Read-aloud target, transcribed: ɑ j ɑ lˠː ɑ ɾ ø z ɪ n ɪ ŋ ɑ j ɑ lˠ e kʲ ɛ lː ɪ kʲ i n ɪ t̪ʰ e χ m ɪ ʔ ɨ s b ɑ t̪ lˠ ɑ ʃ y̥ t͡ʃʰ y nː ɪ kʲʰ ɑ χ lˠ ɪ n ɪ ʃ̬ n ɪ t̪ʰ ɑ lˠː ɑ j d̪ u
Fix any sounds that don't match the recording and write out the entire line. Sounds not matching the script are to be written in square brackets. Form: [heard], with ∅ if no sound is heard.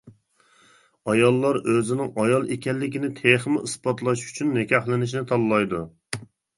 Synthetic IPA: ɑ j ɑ lˠː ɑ ɾ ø z ɪ n ɪ ŋ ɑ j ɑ lˠ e kʲ ɛ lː ɪ kʲ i n ɪ t̪ʰ e χ m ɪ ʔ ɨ s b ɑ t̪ lˠ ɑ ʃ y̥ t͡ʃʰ y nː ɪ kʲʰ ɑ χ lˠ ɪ n ɪ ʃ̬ n ɪ t̪ʰ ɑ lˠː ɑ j d̪ u